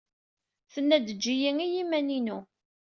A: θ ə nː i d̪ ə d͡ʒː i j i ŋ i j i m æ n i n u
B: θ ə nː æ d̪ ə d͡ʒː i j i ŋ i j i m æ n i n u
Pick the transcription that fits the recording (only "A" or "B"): B